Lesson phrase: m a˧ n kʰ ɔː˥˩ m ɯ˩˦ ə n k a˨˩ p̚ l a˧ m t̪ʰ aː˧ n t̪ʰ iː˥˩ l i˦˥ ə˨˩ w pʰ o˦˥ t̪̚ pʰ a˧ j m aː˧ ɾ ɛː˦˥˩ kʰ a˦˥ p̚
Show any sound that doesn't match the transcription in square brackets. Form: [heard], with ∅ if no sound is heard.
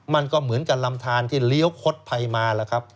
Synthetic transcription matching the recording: m a˧ n [k] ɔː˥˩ m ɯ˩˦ ə n k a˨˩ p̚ l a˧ m t̪ʰ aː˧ n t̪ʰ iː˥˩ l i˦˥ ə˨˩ w [kʰ] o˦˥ t̪̚ pʰ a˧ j m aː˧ [l] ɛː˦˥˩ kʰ a˦˥ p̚

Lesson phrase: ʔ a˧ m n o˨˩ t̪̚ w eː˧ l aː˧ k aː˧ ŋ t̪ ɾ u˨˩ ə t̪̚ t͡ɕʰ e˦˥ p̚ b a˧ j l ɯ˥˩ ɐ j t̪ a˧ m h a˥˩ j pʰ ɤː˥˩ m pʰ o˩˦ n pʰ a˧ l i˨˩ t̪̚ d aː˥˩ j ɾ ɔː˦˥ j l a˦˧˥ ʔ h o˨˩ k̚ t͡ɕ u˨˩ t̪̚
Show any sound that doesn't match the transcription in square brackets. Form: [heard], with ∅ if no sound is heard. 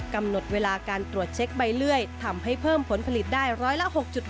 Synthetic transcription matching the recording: [k] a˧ m n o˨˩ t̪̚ w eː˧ l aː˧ k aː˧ [n] t̪ ɾ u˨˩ ə t̪̚ t͡ɕʰ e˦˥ [k̚] b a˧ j l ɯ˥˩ [ə] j [t̪ʰ] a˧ m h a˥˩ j pʰ ɤː˥˩ m pʰ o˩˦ n pʰ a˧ l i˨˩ t̪̚ d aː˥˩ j ɾ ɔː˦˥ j l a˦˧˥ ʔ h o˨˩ k̚ t͡ɕ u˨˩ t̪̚

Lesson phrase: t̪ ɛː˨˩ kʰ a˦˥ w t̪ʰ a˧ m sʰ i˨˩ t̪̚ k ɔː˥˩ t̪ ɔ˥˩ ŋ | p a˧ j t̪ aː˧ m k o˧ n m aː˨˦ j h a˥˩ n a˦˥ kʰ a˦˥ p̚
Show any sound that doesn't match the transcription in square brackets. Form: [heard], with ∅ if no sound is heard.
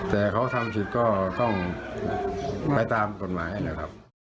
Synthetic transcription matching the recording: t̪ ɛː˨˩ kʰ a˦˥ w t̪ʰ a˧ m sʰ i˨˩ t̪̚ k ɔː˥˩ t̪ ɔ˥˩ ŋ | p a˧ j t̪ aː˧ m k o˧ n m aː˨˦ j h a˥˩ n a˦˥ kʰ a˦˥ p̚

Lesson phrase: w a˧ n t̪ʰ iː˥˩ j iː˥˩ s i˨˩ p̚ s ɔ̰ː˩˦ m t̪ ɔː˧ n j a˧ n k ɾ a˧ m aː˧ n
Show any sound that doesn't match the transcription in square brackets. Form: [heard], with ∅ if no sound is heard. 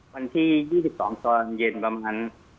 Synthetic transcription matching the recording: w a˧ n t̪ʰ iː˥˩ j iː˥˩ s i˨˩ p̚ s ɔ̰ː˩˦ [ŋ] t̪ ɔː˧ n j [e˧] n [p] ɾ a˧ m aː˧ n

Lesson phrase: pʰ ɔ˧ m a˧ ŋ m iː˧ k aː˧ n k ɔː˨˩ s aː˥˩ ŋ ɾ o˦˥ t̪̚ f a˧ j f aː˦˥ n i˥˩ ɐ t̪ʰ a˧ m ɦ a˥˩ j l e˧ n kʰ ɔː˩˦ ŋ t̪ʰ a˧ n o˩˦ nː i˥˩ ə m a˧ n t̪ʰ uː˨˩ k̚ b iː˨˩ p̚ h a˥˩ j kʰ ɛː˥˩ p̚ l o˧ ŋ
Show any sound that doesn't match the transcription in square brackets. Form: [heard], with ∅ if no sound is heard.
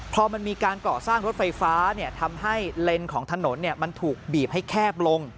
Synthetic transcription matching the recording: pʰ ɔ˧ m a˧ [n] m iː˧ k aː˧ n k ɔː˨˩ s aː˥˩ ŋ ɾ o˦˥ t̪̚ f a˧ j f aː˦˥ n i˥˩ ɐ t̪ʰ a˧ m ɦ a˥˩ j l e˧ n kʰ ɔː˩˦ ŋ t̪ʰ a˧ n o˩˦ nː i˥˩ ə m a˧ n t̪ʰ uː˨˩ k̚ b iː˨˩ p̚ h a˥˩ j kʰ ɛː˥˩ p̚ l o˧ ŋ

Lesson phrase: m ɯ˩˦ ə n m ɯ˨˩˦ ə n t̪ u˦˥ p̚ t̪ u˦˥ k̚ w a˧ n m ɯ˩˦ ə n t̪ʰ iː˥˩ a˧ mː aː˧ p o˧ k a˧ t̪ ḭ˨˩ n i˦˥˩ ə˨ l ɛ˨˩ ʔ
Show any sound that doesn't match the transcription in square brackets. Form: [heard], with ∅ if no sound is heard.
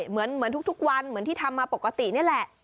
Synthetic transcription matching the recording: m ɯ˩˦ ə n m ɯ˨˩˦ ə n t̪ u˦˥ [k̚] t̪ u˦˥ k̚ w a˧ n m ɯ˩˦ ə n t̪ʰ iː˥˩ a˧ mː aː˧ p [o˨˩] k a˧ t̪ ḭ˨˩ n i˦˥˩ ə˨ l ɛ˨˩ ʔ

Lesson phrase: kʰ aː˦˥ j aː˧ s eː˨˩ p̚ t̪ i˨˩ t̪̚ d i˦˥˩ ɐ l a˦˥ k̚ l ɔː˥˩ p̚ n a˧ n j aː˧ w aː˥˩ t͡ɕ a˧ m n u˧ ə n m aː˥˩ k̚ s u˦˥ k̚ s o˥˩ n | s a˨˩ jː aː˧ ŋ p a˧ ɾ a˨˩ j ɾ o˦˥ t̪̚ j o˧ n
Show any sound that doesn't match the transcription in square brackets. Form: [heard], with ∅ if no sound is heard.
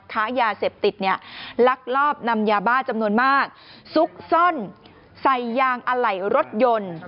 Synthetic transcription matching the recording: kʰ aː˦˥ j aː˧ s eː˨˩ p̚ t̪ i˨˩ t̪̚ [n] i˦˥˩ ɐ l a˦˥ k̚ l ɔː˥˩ p̚ n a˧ [m] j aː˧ [b] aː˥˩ t͡ɕ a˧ m n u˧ ə n m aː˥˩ k̚ s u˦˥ k̚ s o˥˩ n | s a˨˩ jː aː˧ ŋ [ʔ] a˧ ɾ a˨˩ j ɾ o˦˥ t̪̚ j o˧ n

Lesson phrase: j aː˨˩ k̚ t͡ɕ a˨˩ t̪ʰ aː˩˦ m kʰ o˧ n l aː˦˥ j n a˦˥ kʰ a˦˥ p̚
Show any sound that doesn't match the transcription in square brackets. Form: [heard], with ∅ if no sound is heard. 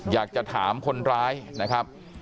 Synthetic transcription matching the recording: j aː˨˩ k̚ t͡ɕ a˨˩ t̪ʰ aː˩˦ m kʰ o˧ n [ɾ] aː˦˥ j n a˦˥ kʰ a˦˥ p̚

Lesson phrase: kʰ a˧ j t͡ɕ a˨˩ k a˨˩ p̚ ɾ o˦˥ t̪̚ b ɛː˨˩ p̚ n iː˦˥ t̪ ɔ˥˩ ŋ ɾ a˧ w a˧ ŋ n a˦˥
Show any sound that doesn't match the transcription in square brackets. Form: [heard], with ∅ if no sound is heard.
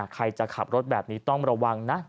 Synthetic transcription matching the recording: kʰ a˧ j t͡ɕ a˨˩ [kʰ] a˨˩ p̚ ɾ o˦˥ t̪̚ b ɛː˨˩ p̚ n iː˦˥ t̪ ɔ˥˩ ŋ ɾ a˧ w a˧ ŋ n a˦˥

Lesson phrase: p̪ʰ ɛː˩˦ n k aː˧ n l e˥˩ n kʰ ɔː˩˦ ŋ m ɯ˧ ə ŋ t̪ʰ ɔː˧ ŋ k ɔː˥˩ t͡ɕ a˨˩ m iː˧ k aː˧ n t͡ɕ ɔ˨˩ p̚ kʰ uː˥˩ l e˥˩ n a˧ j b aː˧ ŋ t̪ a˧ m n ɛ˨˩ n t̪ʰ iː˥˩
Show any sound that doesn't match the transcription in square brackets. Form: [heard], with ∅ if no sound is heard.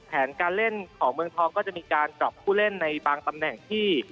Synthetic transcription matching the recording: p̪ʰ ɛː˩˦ n k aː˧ n l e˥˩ n kʰ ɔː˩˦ ŋ m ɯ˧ ə ŋ t̪ʰ ɔː˧ ŋ k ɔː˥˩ t͡ɕ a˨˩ m iː˧ k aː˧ n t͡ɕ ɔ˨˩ p̚ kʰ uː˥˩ l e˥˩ [nː] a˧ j b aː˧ ŋ t̪ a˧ m n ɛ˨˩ [ŋ] t̪ʰ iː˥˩

